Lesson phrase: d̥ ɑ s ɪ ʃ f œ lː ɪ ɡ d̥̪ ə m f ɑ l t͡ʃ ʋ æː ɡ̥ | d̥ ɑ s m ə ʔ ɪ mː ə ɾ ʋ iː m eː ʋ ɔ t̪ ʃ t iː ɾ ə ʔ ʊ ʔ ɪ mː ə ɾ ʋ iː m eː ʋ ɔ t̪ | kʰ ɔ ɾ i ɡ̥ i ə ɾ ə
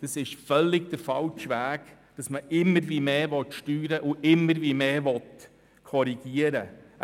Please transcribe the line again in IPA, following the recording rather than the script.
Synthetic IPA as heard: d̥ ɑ s ɪ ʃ f œ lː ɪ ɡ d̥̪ ə f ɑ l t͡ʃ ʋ æː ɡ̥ | d̥ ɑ s m ə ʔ ɪ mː ə ɾ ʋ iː m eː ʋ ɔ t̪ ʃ t yː ɾ ə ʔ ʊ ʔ ɪ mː ə ɾ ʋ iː m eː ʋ ɔ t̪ | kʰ ɔ ɾ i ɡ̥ i ə ɾ ə